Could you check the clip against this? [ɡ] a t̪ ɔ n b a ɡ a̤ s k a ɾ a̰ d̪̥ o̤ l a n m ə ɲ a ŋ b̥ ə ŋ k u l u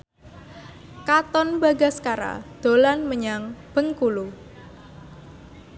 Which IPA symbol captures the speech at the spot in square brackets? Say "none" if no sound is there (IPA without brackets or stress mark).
k